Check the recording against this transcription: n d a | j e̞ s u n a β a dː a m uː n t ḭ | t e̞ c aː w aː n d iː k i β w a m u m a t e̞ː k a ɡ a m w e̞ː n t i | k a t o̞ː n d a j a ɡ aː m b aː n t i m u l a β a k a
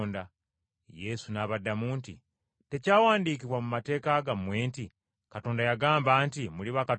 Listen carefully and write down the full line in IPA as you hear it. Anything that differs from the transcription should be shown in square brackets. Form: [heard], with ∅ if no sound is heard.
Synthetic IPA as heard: n d a | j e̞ s u n a β a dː a m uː n t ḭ | t e̞ c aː w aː n d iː k i β w a m u m a t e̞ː k a ɡ a m w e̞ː n t i | k a t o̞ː n d a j a ɡ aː m b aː n t i m u l [i] β a k a